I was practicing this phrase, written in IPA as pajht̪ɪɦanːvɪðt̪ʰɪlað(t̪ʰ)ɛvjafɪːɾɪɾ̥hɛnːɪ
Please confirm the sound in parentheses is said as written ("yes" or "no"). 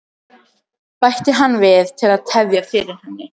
yes